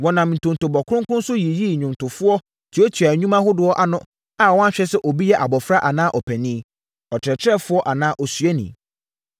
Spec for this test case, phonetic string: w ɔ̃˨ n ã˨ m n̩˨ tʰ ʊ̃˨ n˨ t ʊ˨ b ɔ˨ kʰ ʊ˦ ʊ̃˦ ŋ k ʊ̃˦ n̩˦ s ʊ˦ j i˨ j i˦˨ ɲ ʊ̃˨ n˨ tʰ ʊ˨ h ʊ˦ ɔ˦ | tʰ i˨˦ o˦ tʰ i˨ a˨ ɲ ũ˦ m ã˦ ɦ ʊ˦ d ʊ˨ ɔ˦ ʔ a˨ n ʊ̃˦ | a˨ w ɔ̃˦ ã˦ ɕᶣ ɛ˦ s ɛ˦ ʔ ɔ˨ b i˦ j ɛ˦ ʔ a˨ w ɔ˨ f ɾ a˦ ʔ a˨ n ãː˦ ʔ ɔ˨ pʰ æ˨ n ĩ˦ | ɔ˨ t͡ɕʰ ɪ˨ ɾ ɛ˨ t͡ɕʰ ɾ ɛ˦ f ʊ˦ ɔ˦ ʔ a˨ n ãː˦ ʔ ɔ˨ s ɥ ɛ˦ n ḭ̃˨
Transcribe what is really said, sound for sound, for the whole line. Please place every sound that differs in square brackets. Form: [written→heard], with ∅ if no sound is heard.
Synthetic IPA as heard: w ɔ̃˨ n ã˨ m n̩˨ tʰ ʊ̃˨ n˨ t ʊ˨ b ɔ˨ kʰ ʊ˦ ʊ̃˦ ŋ k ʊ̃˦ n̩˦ s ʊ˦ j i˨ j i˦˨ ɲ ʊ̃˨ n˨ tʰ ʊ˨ [h→f] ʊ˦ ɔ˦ | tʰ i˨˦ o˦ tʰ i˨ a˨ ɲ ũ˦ m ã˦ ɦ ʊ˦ d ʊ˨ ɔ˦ ʔ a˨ n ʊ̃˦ | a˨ w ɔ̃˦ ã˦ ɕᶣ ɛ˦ s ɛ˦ ʔ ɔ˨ b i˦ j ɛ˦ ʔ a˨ [w→b] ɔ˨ f ɾ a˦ ʔ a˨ n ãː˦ ʔ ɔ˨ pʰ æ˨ n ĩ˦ | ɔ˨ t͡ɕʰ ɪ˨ ɾ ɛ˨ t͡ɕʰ ɾ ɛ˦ f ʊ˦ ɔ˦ ʔ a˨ n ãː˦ ʔ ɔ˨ s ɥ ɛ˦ n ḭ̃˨

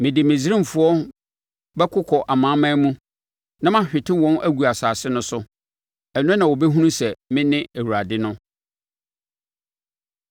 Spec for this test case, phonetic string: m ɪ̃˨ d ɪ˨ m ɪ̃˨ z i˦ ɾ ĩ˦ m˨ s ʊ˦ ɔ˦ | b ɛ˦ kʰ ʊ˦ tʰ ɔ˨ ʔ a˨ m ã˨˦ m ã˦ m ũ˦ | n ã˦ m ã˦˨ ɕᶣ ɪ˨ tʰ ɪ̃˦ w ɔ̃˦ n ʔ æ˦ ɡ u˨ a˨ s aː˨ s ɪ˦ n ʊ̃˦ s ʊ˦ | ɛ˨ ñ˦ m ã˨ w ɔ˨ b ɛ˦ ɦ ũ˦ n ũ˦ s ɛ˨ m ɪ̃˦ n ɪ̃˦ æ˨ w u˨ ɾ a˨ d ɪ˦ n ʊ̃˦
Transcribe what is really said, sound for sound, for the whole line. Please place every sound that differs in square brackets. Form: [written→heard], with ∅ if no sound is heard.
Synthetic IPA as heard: m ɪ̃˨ d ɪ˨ m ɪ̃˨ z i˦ ɾ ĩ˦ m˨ [s→f] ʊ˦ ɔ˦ | b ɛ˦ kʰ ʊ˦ [tʰ→kʰ] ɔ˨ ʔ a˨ m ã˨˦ m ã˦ m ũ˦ | n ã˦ m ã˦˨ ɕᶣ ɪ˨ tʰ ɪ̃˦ w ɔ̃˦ n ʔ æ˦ ɡ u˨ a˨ s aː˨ s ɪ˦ n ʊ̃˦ s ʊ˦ | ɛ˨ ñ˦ [m→n] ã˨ w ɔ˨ b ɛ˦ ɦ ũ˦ n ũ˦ s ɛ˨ m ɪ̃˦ n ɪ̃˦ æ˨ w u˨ ɾ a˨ d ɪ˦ n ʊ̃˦

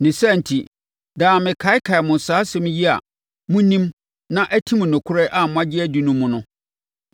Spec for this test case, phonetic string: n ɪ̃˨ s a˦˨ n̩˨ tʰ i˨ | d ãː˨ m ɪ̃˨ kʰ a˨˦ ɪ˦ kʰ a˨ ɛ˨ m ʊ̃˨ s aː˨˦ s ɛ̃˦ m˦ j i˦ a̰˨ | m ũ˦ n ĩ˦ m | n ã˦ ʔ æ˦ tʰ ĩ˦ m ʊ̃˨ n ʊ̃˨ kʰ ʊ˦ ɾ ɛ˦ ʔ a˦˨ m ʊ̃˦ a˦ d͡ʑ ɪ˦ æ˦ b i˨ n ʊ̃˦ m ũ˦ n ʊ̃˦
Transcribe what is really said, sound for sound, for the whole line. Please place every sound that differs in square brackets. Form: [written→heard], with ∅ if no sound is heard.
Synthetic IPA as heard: n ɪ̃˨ s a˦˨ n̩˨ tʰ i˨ | d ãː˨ m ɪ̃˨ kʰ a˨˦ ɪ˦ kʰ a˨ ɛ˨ m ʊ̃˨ s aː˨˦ s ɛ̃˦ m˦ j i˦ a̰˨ | m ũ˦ n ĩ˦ m | n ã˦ ʔ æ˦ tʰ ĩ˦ m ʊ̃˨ n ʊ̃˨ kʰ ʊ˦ ɾ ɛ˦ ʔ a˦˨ m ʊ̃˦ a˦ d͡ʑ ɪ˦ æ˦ [b→d] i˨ n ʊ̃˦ m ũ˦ n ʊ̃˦

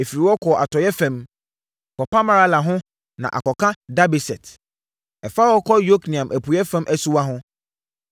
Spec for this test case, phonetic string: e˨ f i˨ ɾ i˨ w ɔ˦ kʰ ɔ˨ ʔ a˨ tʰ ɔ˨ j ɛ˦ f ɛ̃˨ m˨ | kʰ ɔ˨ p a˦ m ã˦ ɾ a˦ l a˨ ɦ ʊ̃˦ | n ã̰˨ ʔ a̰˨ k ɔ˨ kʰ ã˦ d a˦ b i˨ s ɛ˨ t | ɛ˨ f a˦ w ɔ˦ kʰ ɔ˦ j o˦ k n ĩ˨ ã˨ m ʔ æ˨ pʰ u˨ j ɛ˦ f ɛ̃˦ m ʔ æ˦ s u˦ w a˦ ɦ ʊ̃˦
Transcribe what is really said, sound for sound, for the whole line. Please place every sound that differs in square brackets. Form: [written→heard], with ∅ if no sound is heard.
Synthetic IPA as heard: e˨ f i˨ ɾ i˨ w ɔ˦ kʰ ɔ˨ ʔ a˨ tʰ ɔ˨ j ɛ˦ f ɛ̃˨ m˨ | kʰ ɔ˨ p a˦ m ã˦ ɾ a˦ l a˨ ɦ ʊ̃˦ | n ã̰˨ ʔ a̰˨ k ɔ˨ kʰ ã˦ d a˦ b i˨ s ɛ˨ t | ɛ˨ f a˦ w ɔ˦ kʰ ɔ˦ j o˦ k n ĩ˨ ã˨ m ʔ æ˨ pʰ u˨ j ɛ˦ f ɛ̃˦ m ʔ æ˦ s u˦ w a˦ ɦ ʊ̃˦

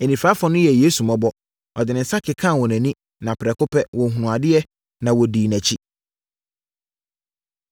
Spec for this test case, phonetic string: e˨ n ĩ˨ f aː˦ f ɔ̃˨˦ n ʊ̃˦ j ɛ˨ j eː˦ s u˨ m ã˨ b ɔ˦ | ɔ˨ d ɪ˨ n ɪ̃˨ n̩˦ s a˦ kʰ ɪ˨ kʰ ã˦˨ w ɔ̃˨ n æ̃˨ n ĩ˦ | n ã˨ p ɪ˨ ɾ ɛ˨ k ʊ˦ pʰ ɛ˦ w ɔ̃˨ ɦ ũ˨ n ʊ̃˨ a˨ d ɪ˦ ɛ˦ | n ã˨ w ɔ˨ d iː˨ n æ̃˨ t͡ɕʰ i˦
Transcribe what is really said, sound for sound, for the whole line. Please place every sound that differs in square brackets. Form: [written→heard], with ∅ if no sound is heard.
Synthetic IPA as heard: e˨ n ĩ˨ f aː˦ f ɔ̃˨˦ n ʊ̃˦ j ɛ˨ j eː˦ s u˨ m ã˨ b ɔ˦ | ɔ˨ d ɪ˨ n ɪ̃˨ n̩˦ s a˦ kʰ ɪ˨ kʰ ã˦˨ w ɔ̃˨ n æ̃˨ n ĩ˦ | n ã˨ p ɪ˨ ɾ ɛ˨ k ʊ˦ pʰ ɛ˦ w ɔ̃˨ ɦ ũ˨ n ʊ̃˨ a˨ d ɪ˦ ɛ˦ | n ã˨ w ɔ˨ d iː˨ n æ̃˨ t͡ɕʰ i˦

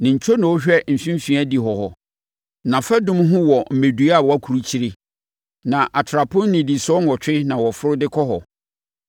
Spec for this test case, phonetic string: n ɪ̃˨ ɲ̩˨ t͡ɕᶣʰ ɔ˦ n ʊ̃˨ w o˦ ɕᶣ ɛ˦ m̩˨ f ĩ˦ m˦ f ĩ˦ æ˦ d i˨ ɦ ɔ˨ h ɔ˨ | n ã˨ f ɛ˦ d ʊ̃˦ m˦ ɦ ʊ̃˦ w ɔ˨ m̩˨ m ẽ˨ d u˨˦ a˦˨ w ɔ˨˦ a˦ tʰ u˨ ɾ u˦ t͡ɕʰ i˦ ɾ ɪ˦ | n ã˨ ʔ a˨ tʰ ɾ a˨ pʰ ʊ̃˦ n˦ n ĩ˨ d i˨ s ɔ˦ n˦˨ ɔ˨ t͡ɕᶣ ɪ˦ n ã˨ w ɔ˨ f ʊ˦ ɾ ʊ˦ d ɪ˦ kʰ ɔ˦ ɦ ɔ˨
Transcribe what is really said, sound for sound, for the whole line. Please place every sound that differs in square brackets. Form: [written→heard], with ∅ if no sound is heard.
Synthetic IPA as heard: n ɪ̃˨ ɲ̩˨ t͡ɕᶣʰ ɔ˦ n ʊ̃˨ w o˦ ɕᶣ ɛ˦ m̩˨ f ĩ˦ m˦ f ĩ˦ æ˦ d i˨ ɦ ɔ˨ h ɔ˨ | n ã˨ f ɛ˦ d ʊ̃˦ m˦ ɦ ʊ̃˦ w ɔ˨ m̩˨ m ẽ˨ d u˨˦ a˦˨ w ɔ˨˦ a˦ [tʰ→kʰ] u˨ ɾ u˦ t͡ɕʰ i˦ ɾ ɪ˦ | n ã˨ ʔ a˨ tʰ ɾ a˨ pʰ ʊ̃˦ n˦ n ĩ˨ d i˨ s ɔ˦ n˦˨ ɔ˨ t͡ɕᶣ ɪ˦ n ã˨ w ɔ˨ f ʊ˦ ɾ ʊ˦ d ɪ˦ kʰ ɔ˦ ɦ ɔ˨

